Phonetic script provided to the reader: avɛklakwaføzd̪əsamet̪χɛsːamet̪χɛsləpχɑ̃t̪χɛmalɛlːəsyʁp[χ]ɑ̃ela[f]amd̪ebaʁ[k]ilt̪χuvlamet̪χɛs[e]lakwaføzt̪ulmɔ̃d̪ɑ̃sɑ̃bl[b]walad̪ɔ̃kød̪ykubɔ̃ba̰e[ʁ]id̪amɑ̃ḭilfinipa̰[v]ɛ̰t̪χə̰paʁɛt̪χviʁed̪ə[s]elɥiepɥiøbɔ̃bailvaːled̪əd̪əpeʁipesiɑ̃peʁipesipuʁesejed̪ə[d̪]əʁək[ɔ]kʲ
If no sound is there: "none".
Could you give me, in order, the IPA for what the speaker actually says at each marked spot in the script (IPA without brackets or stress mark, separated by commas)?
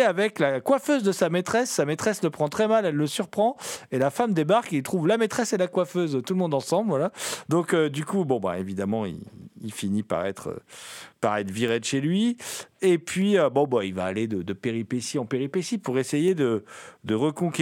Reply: χ, f, k, e, v, v, ʁ, ʃ, d̪, ɔ̃